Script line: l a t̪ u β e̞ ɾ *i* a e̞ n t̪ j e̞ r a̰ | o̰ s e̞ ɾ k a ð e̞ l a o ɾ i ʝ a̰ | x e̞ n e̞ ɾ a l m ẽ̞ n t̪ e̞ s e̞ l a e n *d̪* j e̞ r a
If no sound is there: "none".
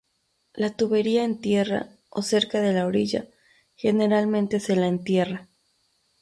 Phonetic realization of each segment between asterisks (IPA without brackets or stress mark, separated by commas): i, t̪